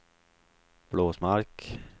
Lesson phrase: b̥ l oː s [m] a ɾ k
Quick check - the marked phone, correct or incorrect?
correct